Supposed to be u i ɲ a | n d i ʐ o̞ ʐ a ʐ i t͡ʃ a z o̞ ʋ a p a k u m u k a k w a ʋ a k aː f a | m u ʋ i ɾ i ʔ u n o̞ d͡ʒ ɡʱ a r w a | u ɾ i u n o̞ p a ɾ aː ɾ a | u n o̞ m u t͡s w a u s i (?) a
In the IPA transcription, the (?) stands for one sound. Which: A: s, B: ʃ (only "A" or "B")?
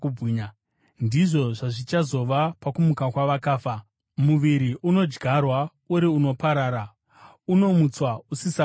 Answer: A